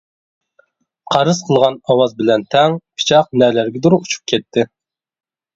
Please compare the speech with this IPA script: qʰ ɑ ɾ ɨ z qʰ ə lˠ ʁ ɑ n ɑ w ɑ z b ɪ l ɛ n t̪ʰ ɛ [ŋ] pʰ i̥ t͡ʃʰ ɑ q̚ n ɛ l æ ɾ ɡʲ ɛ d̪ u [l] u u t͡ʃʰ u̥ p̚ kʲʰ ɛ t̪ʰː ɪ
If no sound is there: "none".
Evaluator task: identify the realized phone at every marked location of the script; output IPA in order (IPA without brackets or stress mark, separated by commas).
ŋ, ɾ